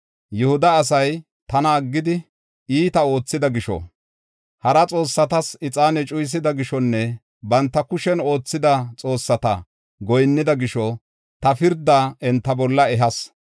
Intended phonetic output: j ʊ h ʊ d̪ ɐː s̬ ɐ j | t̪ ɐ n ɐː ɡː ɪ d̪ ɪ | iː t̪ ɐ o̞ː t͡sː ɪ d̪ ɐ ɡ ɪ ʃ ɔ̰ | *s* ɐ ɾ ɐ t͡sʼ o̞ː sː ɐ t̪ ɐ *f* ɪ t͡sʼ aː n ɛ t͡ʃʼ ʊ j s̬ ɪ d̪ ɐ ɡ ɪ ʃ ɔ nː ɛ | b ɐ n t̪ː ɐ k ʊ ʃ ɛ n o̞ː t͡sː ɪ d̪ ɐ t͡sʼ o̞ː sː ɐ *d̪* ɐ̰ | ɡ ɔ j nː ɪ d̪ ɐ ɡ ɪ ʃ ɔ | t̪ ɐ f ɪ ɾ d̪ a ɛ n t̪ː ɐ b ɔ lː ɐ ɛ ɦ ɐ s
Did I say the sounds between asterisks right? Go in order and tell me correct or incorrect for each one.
incorrect, incorrect, incorrect

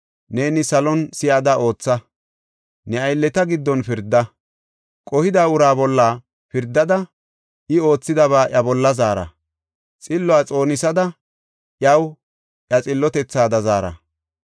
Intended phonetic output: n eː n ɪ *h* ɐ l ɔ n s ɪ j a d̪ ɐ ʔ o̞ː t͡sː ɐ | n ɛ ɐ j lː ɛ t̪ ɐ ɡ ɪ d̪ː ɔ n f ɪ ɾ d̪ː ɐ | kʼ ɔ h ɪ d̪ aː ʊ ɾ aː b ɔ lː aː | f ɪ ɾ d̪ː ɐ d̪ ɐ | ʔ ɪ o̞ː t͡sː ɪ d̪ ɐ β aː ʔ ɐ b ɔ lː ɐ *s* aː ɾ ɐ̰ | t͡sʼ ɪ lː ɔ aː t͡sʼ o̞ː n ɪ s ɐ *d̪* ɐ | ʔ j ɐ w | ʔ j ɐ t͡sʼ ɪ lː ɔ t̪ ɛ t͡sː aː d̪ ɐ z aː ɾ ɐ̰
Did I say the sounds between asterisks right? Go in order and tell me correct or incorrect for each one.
incorrect, incorrect, correct

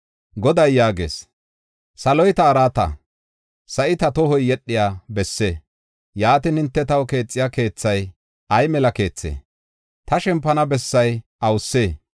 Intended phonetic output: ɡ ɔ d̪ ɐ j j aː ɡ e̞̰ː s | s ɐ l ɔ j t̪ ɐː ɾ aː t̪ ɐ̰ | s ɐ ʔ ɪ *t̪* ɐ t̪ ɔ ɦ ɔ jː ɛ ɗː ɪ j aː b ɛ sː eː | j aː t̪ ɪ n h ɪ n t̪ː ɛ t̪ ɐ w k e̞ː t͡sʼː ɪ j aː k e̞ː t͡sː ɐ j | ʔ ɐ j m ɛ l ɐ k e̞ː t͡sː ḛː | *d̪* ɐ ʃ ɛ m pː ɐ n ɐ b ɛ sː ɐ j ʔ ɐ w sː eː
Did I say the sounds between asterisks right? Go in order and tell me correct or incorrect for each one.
correct, incorrect

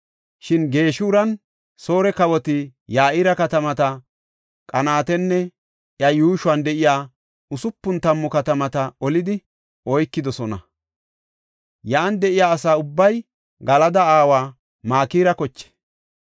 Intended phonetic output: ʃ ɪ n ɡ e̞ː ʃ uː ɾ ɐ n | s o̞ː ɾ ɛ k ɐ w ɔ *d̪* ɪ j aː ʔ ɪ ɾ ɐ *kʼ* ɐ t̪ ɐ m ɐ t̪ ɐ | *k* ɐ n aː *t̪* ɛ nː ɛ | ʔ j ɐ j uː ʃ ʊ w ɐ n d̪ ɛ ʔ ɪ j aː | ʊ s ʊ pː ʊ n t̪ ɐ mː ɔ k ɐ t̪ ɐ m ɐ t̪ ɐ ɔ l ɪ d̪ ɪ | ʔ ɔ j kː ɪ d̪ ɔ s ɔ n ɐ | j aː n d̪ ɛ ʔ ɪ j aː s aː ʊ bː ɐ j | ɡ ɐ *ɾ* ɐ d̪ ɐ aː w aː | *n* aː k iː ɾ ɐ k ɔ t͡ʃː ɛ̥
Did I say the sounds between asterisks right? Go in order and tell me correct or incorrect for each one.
incorrect, incorrect, incorrect, correct, incorrect, incorrect

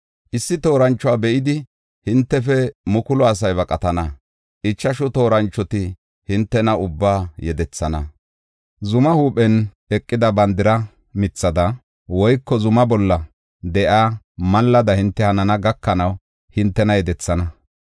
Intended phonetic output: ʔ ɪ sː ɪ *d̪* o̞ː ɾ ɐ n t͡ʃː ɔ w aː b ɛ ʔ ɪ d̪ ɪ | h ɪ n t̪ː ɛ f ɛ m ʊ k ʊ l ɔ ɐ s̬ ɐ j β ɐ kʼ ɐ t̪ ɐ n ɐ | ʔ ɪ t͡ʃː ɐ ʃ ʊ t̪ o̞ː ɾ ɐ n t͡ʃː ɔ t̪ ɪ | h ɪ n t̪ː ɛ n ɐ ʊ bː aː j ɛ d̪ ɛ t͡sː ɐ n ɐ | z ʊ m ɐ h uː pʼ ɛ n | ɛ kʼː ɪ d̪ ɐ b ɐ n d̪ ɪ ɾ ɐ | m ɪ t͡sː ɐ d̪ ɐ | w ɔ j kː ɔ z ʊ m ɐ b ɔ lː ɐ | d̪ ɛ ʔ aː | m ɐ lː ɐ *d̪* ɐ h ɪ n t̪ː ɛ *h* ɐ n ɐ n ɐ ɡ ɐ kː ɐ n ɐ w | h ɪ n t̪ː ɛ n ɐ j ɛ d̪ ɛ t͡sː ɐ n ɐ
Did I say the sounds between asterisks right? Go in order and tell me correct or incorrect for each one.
incorrect, correct, correct

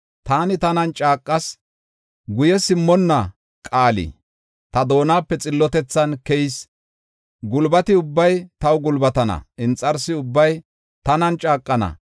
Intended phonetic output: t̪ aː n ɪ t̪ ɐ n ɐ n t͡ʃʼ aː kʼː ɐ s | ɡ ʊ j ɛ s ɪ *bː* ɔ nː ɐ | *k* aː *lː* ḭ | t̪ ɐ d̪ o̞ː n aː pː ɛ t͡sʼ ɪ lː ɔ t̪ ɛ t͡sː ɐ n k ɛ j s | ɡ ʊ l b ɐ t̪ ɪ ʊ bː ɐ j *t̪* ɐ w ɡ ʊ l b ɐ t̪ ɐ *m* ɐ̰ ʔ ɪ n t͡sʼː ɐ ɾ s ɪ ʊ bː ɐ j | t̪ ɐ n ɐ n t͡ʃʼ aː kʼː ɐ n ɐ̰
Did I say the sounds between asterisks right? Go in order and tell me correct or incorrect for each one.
incorrect, incorrect, incorrect, correct, incorrect

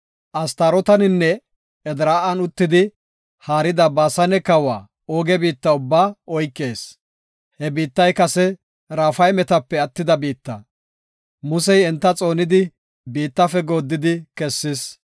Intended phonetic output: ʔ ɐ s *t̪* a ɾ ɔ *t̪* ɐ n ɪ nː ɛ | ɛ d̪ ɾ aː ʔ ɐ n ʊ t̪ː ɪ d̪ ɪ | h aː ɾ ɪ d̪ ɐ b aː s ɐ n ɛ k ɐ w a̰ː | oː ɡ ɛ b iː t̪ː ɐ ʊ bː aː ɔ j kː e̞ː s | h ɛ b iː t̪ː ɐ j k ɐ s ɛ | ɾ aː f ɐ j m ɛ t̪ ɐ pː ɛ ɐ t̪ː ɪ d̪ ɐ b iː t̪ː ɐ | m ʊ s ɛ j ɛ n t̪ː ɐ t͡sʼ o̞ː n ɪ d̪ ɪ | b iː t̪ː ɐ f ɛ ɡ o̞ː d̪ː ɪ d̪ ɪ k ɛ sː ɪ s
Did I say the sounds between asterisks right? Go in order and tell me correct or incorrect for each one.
correct, correct

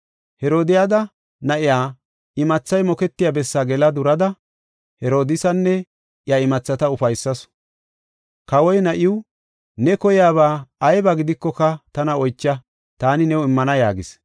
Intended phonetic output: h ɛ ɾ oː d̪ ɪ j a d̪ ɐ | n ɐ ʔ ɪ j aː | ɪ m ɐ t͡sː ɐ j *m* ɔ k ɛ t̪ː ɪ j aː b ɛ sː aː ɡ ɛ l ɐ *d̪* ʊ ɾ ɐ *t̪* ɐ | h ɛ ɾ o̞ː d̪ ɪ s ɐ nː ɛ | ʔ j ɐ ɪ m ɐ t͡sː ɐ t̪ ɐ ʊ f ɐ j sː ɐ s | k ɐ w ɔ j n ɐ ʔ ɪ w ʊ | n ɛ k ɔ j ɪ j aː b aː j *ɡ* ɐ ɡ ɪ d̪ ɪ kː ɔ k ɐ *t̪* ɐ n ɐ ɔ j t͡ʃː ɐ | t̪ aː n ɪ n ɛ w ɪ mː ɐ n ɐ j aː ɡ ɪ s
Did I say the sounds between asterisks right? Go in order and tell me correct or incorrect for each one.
correct, correct, incorrect, incorrect, correct

